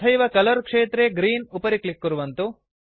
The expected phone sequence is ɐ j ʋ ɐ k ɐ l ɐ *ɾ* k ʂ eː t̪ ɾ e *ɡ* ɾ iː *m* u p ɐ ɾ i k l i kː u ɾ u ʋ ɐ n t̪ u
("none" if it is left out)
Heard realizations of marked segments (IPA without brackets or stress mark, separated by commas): ɾ, ɡ, n